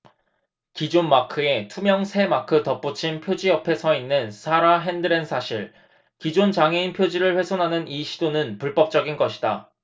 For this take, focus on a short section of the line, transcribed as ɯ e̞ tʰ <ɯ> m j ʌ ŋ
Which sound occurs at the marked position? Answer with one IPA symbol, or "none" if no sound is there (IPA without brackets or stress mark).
u